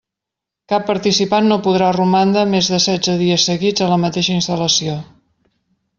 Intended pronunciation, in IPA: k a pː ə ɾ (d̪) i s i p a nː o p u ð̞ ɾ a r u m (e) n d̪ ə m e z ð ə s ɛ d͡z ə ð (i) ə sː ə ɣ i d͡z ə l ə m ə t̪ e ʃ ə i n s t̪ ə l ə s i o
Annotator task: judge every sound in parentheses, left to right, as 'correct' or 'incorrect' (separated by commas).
incorrect, incorrect, correct